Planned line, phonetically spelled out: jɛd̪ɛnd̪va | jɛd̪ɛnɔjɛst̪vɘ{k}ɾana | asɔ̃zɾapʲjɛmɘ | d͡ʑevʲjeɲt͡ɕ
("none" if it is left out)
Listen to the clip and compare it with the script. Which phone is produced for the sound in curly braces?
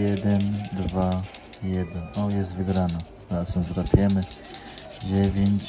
ɡ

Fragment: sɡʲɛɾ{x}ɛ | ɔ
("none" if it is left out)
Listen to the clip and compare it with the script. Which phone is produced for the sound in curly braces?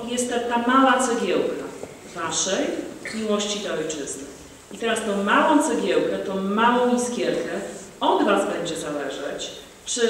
k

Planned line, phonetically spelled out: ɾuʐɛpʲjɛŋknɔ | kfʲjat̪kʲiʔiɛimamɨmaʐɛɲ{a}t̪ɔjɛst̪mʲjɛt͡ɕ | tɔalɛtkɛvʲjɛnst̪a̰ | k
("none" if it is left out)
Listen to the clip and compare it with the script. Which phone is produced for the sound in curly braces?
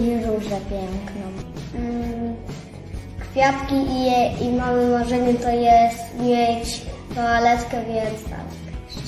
ɛ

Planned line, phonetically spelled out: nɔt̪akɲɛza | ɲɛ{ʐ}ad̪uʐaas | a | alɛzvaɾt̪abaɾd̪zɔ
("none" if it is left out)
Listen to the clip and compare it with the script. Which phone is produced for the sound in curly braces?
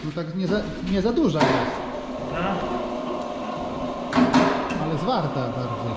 z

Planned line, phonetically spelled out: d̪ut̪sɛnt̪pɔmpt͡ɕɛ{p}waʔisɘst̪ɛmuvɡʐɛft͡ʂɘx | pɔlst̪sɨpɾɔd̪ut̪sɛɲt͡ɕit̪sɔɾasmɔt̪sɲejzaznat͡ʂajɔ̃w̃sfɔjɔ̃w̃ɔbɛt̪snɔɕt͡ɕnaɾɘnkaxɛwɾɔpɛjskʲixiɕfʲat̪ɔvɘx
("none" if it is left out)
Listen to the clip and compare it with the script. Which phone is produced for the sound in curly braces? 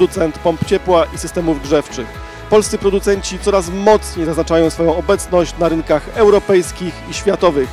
p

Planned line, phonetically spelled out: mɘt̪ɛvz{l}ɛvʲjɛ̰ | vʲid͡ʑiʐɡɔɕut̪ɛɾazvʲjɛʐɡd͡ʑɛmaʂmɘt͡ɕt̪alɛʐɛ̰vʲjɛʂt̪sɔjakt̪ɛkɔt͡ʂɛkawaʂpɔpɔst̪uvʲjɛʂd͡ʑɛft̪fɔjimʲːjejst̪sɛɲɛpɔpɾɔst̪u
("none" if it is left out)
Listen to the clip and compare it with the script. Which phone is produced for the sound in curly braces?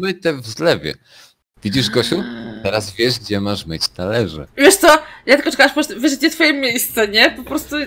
l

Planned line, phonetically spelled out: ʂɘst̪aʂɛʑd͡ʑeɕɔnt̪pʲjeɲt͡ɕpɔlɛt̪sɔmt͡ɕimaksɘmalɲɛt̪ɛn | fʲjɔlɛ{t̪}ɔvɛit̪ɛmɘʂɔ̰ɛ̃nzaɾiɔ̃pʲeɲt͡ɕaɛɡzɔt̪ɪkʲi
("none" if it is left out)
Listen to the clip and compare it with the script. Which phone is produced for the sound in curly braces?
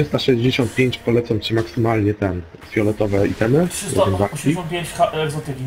t̪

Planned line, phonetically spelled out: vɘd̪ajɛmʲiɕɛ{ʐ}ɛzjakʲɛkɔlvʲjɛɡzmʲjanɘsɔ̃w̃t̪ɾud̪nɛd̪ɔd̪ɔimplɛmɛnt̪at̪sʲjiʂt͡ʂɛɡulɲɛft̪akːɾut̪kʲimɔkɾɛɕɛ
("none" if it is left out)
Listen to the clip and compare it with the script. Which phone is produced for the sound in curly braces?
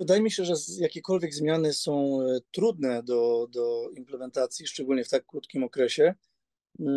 ʐ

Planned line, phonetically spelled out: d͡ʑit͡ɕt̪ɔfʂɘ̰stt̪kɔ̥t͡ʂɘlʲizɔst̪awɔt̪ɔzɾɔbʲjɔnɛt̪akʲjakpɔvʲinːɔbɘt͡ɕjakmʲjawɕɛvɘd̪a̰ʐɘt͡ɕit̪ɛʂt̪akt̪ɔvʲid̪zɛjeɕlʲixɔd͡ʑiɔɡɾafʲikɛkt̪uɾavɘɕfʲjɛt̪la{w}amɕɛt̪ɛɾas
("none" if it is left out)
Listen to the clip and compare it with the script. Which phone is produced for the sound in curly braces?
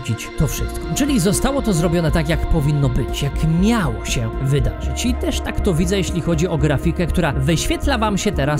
v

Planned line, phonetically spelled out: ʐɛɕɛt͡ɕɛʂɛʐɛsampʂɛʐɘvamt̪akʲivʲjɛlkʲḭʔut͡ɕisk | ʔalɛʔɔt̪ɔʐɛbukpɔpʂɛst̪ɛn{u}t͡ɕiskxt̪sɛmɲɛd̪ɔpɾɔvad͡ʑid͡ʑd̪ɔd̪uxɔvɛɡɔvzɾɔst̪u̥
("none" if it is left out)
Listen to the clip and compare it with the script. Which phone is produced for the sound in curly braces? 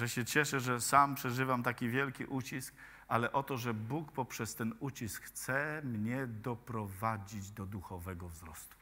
u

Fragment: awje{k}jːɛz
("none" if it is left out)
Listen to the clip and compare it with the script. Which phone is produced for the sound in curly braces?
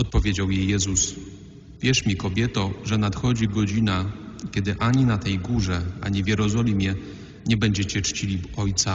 none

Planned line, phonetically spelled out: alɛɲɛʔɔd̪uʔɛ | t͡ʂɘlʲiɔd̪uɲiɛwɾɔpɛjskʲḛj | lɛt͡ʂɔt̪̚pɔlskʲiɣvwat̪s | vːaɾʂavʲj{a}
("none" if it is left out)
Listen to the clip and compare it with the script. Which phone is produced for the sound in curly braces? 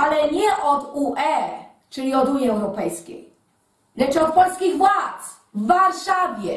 ɛ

